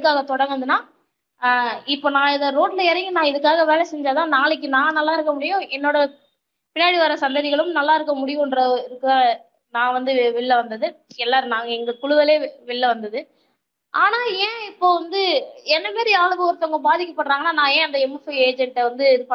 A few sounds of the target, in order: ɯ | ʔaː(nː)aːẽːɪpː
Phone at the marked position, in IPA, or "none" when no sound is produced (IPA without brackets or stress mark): n